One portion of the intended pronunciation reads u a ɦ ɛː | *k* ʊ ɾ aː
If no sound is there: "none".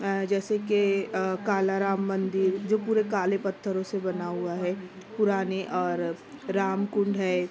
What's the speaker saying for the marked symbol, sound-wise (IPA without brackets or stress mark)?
p